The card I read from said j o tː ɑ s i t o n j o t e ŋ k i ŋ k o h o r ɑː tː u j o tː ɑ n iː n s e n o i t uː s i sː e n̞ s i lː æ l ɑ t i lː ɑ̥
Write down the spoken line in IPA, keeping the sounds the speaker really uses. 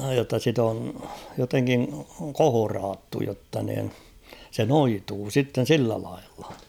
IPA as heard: j o tː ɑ s i t o n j o t e ŋ k i ŋ k o h o r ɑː tː u j o tː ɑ n iː n s e n o i t uː s i tː e n̞ s i lː æ l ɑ i lː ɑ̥

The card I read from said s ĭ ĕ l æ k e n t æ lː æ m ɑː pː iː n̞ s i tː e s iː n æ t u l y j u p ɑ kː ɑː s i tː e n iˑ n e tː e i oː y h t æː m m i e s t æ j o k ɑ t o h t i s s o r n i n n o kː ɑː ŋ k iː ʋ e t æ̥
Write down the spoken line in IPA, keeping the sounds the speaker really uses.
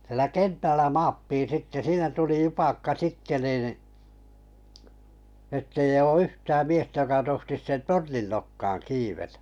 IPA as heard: s ĭ ĕ l æ k e n t æ lː æ m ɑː pː iː n̞ s i tː e s iː n æ t u l i j u p ɑ kː ɑ s i tː e n iˑ n e tː e i oː y h t æː m m i e s t æ j o k ɑ t o h t i s t o r n i n n o kː ɑː ŋ k iː ʋ e t æ̥

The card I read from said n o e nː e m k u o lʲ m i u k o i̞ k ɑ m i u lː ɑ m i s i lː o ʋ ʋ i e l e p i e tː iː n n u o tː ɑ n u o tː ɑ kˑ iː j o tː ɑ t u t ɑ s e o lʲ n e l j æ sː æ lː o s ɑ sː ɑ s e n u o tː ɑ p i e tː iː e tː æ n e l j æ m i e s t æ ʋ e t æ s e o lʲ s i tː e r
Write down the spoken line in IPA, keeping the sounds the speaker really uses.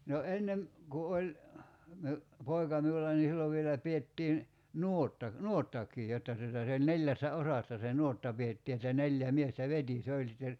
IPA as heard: n o e nː e m k u o lʲ m i u p o i̞ k ɑ m i u lː ɑ n i s i lː o ʋ ʋ i e l æ p i e tː iː n n u o tː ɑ n u o tː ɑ kˑ iː j o tː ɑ t u t ɑ s e o lʲ n e l j æ sː æ o s ɑ sː ɑ s e n u o tː ɑ p i e tː iː e tː æ n e l j æ m i e s t æ ʋ e t i s e o lʲ s i tː e r

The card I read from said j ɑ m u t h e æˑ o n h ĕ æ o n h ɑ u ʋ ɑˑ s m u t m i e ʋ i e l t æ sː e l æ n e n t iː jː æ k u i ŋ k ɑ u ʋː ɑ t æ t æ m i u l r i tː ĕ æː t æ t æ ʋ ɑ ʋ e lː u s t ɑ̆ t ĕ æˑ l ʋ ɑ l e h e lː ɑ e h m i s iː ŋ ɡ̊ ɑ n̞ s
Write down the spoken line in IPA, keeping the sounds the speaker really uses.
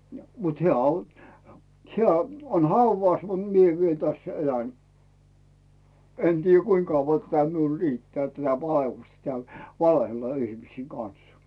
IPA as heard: j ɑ m u t h e æˑ o n h ĕ æ o n h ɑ u ʋ ɑˑ s m u t m i e ʋ i e l t æ sː e l æ n e n t iː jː æ k u i ŋ k ɑ u ʋː ɑ t æ t æ m i u l r i tː ĕ æː t æ t æ ʋ ɑ e lː u s t ɑ̆ t ĕ æˑ l ʋ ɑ l e h e lː ɑ i h m i s iː ŋ ɡ̊ ɑ n̞ s

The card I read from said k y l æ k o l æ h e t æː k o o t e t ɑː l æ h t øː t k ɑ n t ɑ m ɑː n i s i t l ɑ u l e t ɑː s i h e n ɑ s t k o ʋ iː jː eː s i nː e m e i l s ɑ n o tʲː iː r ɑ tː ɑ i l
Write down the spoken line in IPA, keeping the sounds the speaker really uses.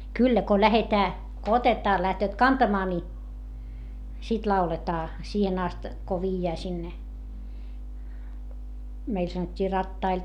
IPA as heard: k y lː æ k o l æ h e t æː k o o t e t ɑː l æ h t øː t k ɑ n t ɑ m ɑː n i s i t l ɑ u l e t ɑː s iː h e n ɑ s t k o ʋ iː jː æː s i nː e m e i l s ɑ n o tʲː iː r ɑ tː ɑ i l

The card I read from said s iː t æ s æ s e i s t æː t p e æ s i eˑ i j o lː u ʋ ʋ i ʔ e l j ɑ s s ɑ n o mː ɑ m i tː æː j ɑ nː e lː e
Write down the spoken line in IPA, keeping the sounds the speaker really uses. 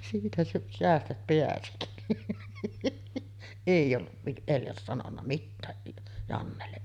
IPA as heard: s iː t æ s æ s e æ s t æ t p e æ s i eˑ i j o lː u ʋ ʋ i ʔ e l j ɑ s s ɑ n o nː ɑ m i tː æː j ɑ nː e lː e

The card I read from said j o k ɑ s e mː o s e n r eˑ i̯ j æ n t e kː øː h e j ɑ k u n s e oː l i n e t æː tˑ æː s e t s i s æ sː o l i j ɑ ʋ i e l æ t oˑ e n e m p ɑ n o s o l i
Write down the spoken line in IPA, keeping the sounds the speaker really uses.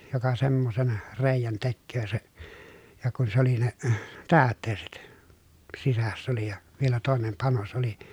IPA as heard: j o k ɑ s e mː o s e n r eˑ i̯ j æ n t e kː øː s e j ɑ k u n s e o l i n e t æː tˑ eː s e t s i s æ sː o l i j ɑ ʋ i e l æ t oˑ e n e m p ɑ n o s o l i

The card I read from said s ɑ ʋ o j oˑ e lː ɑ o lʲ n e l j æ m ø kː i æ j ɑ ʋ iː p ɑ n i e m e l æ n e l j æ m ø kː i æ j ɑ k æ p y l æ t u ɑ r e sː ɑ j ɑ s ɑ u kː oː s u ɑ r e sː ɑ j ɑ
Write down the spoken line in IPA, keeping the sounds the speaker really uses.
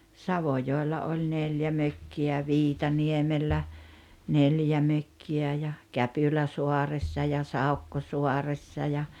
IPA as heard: s ɑ ʋ o j oˑ e lː ɑ o lʲ n e l j æ m ø kː i æ j ɑ ʋ iː t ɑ n i e m e lː æ n e l j æ m ø kː i æ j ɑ k æ p y l æ s u ɑ r e sː ɑ j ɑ s ɑ u kː o s u ɑ r e sː ɑ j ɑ

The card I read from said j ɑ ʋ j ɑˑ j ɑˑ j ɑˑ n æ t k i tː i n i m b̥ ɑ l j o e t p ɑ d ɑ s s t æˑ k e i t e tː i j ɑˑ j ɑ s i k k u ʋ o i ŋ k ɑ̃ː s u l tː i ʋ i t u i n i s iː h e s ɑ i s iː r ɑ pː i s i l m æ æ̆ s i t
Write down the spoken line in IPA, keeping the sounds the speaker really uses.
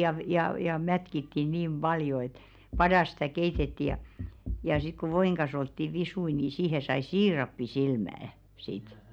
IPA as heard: j ɑ ʋ j ɑˑ j ɑˑ j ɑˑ m æ t k i tː i n iː m b̥ ɑ l j o e t p ɑ d ɑ s s t æˑ k e i t e tː i j ɑˑ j ɑ s i k k u ʋ o i ŋ k ɑ̃ː s o l tː i ʋ i s u i n i s iː h e s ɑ i s iː r ɑ pː i s i l m æ æ̆ s i t

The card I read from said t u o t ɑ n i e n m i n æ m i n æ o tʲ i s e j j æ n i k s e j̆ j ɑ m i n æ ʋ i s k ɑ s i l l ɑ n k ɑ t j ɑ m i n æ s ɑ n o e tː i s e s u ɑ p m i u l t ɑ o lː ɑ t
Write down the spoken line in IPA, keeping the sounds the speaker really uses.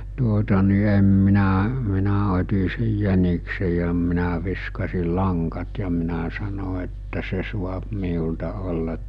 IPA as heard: t u o t ɑ n i e m m i n æ m i n æ o tʲ i s e j j æ n i k s e j̆ j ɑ m i n æ ʋ i s k ɑ s i l l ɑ ŋ k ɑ t j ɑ m i n æ s ɑ n o e tː æ s e s u ɑ p m i u l t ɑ o lː ɑ t

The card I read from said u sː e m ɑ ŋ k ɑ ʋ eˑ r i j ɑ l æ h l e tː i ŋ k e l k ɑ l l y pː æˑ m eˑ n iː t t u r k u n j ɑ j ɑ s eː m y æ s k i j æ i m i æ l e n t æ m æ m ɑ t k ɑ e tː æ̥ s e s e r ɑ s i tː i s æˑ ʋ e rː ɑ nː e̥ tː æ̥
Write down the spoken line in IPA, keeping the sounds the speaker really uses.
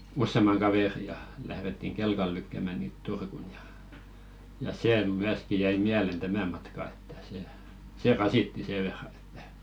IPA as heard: u sː e m ɑ ŋ k ɑ ʋ eˑ r i j ɑ l æ h r e tː i ŋ k e l k ɑ l l y kː æˑ m æˑ n iː t t u r k u n j ɑ j ɑ s eː m y æ s k i j æ i m i æ l e n t æ m æ m ɑ t k ɑ e tː æ̥ s e s e r ɑ s i tː i s eˑ ʋ e rː ɑ n e̥ tː æ̥

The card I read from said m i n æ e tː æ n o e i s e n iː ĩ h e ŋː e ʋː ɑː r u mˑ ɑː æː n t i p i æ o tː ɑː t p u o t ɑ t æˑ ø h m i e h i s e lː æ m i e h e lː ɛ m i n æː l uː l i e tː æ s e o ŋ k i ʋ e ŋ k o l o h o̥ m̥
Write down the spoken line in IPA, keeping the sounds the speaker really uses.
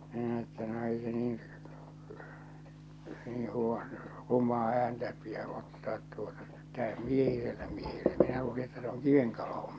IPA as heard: m i n æ e tː æ n o e i s e n iː ĩ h e ŋː e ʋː ɑː r u mˑ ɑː æː n t æ p i æ o tː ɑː t t u o t ɑ t æˑ ø h m i e h i s e lː æ m i e h e lː ɛ m i n æ l uː l i e tː æ s e o ŋ k i ʋ e ŋ k o l o h o̥ m̥

